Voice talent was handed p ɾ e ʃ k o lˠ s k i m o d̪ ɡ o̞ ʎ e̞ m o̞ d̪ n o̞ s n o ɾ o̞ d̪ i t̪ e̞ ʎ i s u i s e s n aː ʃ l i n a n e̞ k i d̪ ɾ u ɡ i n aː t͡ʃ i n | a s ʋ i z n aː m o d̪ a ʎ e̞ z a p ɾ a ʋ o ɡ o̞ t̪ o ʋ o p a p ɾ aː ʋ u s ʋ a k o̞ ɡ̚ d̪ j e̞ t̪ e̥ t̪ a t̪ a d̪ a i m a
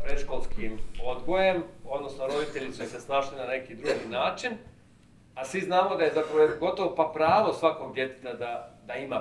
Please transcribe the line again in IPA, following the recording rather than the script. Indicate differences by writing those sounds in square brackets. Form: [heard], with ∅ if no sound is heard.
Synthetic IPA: p ɾ e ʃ k o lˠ s k i m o d̪ ɡ o̞ [j] e̞ m o̞ d̪ n o̞ s n o ɾ o̞ d̪ i t̪ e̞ ʎ i s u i s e s n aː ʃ l i n a n e̞ k i d̪ ɾ u ɡ i n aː t͡ʃ i n | a s ʋ i z n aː m o d̪ a [j] e̞ z a p ɾ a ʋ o ɡ o̞ t̪ o ʋ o p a p ɾ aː ʋ [o] s ʋ a k o̞ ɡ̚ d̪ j e̞ t̪ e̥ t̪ a [d̪] a d̪ a i m a